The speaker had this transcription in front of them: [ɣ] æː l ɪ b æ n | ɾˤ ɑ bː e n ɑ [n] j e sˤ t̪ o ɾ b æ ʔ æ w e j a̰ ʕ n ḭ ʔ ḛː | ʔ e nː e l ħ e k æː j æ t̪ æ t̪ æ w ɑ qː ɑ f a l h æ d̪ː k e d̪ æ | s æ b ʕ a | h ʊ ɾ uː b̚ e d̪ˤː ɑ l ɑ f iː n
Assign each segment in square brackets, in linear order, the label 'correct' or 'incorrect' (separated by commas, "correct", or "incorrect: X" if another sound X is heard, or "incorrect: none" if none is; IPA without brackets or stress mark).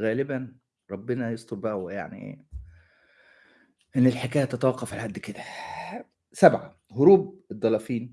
correct, incorrect: none